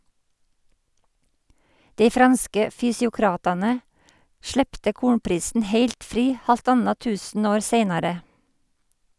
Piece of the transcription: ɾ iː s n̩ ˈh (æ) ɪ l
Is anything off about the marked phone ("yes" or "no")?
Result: yes